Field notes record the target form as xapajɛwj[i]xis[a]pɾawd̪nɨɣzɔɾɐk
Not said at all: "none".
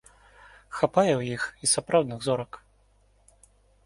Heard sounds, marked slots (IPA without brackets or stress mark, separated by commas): i, a